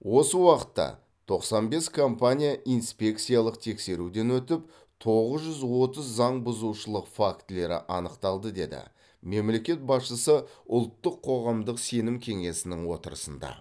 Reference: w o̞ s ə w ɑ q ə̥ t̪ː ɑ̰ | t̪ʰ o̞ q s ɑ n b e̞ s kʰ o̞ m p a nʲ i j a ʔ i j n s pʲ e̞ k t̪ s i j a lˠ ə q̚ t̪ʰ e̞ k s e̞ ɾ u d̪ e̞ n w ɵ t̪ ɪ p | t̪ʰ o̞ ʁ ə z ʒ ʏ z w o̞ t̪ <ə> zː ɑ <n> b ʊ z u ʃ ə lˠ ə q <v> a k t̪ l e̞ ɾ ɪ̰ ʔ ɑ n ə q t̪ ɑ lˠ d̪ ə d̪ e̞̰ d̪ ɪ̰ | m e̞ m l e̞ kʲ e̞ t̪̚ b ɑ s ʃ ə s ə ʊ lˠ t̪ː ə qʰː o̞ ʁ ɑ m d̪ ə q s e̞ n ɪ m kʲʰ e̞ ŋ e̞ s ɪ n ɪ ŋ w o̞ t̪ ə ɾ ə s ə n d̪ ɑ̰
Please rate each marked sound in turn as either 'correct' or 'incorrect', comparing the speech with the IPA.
correct, incorrect: ɴ, incorrect: f

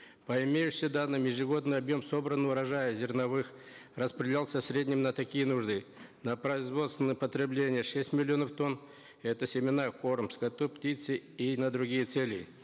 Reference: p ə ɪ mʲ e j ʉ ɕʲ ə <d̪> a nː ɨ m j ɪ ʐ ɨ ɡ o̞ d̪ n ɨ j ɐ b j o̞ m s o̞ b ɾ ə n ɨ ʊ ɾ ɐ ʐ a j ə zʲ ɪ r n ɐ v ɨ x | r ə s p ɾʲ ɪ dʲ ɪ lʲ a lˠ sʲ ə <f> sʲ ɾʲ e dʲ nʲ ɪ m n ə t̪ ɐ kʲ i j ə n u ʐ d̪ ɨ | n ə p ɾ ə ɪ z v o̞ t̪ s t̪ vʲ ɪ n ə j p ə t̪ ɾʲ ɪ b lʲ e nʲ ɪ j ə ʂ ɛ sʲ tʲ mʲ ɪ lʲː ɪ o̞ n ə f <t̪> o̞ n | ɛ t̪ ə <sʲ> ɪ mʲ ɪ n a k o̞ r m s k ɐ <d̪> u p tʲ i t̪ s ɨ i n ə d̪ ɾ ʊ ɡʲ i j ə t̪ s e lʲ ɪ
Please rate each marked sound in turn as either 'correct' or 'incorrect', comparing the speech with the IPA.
correct, correct, correct, correct, incorrect: t̪

